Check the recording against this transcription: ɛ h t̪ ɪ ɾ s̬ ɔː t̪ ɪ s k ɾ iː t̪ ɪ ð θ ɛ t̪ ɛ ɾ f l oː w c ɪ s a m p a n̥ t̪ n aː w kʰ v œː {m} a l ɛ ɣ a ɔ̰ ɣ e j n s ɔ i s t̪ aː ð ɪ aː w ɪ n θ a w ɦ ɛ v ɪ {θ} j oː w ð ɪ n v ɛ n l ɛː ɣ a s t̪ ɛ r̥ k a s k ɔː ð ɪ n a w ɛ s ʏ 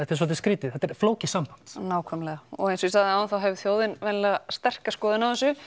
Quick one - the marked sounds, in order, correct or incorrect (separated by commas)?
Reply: correct, correct